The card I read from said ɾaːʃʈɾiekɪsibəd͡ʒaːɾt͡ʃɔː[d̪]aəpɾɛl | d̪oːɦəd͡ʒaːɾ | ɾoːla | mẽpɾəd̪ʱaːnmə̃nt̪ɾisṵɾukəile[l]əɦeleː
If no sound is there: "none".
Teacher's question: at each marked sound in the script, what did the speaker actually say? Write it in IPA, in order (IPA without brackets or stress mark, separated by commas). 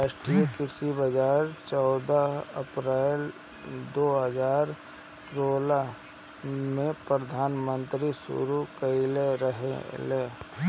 d̪, ɾ